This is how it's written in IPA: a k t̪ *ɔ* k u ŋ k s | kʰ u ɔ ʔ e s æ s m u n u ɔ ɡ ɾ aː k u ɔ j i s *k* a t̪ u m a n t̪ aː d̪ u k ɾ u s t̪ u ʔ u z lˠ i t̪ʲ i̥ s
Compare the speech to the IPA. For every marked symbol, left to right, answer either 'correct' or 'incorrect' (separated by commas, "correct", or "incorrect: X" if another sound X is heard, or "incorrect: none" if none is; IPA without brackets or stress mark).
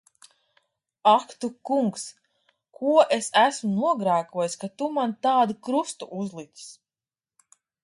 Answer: incorrect: u, correct